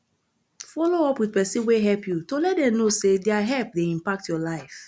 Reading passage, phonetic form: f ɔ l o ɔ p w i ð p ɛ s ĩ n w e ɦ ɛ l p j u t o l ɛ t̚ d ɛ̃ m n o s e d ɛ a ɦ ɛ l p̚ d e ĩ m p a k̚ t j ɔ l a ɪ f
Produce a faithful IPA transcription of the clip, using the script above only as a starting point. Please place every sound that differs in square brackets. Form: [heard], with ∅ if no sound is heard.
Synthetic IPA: f ɔ l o ɔ p w i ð p ɛ s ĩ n w e ɦ ɛ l p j u t o l ɛ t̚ d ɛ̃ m n o s e d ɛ a ɦ ɛ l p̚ d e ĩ m p a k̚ t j ɔ l a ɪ f